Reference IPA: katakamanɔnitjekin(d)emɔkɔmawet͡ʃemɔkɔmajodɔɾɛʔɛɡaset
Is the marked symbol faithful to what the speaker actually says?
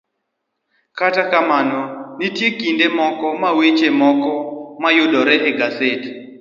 yes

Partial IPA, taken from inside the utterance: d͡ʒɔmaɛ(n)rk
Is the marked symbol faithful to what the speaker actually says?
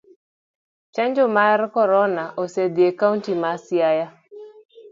no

